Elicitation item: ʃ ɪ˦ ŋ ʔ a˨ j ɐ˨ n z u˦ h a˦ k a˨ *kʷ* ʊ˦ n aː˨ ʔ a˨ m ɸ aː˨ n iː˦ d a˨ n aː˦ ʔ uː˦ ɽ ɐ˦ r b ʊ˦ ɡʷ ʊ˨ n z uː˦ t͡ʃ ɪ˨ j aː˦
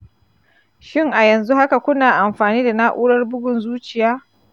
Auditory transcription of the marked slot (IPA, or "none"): kʷ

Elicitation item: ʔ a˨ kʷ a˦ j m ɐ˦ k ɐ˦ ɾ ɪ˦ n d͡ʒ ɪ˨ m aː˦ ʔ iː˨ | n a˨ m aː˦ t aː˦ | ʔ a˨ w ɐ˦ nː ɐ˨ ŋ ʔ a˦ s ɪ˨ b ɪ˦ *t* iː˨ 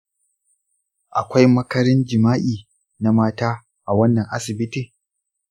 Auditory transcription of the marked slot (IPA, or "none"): t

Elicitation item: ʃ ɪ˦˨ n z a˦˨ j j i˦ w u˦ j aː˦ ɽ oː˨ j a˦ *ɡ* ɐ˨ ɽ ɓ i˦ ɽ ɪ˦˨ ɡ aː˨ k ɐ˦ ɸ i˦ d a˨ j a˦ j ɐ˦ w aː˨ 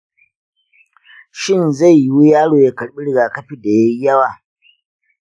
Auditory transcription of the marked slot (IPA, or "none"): k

